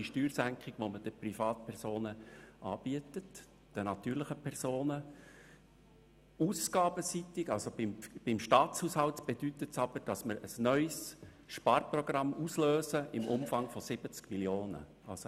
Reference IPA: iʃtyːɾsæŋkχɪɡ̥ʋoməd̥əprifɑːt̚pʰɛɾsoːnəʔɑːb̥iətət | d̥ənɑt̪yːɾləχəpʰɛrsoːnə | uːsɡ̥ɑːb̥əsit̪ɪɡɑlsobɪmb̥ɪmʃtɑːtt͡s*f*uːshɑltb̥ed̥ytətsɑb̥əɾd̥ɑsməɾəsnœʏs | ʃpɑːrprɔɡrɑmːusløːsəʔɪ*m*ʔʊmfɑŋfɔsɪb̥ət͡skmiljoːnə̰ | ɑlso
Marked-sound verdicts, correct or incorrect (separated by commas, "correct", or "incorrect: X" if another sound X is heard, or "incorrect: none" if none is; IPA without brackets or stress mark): incorrect: h, correct